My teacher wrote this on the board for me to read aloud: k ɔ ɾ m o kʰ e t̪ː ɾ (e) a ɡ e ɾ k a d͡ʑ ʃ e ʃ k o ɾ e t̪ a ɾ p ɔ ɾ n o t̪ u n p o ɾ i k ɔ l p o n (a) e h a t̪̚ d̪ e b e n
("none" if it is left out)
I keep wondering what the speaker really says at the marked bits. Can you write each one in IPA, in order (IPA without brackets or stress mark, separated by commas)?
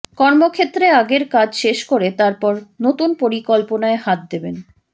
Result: e, a